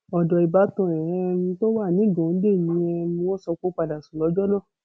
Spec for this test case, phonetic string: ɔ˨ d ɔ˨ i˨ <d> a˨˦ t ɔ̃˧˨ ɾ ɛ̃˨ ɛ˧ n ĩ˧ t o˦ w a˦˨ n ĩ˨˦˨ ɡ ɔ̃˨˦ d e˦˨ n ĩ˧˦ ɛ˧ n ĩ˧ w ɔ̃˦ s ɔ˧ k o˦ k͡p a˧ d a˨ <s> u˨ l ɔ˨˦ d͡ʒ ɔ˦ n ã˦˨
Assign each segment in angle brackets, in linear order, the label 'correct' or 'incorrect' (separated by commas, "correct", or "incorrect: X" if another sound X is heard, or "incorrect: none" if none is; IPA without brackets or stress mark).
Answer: incorrect: b, correct